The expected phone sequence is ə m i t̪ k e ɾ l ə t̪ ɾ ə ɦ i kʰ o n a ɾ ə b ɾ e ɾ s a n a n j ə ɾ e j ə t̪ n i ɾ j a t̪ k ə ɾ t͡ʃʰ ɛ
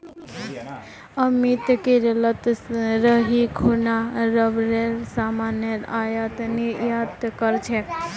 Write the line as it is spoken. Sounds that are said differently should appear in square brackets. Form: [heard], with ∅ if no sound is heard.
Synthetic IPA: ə m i t̪ k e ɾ l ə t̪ ɾ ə ɦ i kʰ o n a ɾ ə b ɾ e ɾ s a [m] a n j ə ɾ [a] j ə t̪ n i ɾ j a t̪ k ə ɾ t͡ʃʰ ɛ